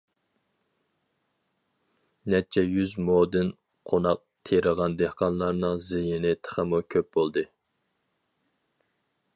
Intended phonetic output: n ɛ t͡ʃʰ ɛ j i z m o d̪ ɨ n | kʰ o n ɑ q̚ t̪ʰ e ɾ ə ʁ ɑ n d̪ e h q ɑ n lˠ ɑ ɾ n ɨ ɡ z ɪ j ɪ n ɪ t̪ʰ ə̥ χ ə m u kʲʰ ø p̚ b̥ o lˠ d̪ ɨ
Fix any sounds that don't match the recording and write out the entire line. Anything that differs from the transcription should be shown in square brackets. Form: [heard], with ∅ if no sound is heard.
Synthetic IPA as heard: n ɛ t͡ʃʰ ɛ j [y] z m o d̪ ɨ n | [qʰ] o n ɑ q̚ t̪ʰ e ɾ ə ʁ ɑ n d̪ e h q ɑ n lˠ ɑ ɾ n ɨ [ŋ] z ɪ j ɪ n ɪ t̪ʰ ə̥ χ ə m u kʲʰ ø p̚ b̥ o lˠ d̪ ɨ